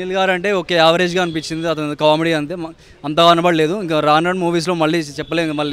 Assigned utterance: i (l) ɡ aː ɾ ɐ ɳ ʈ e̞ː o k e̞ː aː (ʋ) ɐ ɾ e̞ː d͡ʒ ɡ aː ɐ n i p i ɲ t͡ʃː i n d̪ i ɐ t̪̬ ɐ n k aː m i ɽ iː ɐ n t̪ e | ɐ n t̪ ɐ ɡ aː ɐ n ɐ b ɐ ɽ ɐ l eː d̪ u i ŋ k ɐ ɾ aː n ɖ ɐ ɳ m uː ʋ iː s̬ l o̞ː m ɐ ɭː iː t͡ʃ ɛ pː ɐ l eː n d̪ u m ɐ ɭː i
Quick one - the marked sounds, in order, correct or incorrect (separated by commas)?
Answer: correct, correct